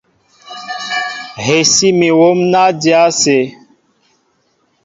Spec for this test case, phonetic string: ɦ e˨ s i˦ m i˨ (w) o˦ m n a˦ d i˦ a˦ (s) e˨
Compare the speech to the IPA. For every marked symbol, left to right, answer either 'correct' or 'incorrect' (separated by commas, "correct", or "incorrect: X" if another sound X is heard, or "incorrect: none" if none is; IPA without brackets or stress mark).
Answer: correct, correct